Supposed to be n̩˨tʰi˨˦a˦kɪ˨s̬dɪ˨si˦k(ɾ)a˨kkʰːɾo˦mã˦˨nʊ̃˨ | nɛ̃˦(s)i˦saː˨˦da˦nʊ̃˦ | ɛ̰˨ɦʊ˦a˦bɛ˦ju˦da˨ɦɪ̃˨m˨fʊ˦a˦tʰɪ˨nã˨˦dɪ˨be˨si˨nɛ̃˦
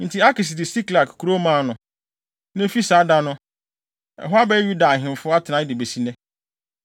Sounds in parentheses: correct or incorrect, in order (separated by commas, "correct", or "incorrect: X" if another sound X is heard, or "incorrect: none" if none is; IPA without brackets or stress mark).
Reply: incorrect: l, incorrect: f